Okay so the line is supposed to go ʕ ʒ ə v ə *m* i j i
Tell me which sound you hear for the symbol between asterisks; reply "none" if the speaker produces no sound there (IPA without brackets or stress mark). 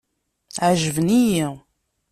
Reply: n